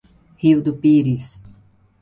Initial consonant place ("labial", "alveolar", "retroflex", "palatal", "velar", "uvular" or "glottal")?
glottal